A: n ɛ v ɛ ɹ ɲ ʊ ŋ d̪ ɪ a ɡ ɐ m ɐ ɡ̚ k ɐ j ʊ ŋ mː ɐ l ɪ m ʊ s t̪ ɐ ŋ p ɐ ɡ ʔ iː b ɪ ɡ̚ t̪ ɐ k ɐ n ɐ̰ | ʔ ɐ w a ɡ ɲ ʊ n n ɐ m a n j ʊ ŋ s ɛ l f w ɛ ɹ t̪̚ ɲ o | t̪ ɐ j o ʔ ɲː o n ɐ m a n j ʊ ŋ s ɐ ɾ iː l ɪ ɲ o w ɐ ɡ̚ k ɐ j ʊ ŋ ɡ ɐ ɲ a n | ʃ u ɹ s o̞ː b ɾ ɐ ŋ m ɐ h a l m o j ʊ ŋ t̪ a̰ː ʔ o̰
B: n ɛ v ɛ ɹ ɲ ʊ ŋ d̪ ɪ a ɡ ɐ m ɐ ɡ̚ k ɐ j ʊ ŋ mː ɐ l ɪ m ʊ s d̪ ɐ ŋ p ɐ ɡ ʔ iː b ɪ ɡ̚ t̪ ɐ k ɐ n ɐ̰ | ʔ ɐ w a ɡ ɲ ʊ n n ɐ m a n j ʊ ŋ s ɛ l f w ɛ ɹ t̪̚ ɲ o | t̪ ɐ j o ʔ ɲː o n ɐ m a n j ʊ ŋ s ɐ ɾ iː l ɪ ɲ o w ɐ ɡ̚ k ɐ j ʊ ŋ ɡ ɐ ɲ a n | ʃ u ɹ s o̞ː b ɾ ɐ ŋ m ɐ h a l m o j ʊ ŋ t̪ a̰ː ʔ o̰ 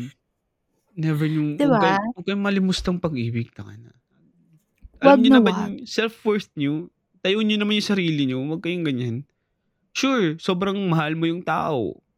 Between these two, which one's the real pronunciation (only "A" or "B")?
A